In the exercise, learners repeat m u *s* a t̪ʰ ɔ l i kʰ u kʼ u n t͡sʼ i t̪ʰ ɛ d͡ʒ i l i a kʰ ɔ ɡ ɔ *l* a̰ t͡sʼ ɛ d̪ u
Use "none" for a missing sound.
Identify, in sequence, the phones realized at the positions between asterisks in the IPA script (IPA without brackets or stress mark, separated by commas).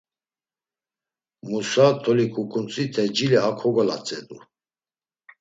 s, l